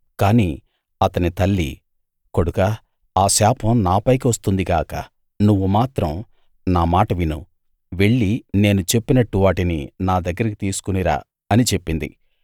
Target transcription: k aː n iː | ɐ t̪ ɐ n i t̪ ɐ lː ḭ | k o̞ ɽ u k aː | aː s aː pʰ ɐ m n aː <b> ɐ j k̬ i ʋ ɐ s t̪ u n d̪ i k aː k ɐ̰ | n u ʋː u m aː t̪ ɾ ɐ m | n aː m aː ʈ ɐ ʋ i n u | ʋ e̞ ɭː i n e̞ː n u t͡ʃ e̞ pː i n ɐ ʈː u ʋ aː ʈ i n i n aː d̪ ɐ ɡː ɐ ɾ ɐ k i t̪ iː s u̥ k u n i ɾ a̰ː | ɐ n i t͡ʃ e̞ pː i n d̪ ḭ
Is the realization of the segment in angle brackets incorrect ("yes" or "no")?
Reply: yes